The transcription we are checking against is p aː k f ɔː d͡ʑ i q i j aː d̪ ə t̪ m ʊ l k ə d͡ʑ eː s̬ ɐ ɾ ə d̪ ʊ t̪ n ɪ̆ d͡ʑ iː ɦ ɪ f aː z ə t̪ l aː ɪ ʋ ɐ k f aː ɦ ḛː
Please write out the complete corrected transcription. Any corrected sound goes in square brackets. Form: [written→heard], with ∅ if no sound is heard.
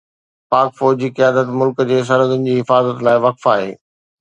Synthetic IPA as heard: p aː k f ɔː d͡ʑ i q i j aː d̪ ə t̪ m ʊ l k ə d͡ʑ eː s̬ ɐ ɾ ə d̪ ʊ [t̪→∅] n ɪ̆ d͡ʑ iː ɦ ɪ f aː z ə t̪ l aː ɪ ʋ ɐ k f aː ɦ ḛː